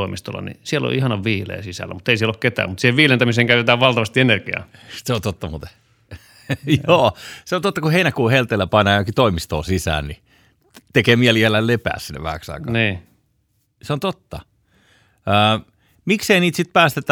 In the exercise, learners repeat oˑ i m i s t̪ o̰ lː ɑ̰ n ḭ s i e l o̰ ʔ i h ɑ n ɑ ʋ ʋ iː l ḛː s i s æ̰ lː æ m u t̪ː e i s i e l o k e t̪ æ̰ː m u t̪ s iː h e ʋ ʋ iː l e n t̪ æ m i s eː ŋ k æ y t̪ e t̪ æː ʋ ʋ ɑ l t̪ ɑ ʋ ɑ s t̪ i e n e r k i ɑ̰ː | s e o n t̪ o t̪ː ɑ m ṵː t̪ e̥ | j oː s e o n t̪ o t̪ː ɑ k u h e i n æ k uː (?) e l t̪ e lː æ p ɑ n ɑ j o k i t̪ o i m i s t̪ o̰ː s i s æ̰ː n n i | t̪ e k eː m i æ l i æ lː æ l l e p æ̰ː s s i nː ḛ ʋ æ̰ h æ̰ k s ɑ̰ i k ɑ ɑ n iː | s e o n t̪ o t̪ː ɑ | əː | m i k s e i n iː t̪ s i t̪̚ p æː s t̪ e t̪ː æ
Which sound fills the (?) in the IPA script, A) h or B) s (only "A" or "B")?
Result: A